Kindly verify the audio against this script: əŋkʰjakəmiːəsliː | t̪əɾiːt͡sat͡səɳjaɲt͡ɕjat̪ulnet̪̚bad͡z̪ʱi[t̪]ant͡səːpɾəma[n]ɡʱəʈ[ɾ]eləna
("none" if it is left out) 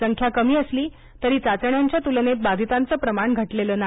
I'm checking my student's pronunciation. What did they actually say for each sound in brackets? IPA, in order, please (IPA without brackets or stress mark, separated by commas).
t̪, ɳ, l